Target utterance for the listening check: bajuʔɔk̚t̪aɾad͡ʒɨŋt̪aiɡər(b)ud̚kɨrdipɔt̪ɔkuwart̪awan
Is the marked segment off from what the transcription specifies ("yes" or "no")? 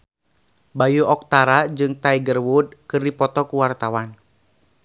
yes